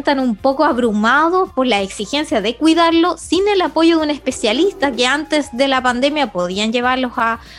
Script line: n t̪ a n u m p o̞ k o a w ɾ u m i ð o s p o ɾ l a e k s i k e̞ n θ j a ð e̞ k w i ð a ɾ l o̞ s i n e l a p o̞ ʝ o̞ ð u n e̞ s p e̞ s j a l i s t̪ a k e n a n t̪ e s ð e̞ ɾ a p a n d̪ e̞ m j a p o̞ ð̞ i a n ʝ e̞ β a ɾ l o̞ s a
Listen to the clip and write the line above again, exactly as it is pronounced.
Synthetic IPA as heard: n t̪ a n u m p o̞ k o a β ɾ u m a ð o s p o ɾ l a e k s i x e̞ n s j a ð e̞ k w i ð a ɾ l o̞ s i n e l a p o̞ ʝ o̞ ð u n e̞ s p e̞ s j a l i s t̪ a k e a n t̪ e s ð e̞ l a p a n d̪ e̞ m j a p o̞ ð̞ i a n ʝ e̞ β a ɾ l o̞ s a